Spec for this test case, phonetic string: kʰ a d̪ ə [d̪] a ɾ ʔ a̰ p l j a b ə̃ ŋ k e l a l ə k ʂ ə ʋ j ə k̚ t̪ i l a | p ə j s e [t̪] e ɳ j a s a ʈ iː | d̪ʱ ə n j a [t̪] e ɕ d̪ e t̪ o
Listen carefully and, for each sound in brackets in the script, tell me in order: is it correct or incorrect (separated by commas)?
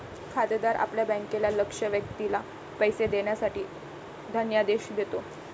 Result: correct, incorrect, incorrect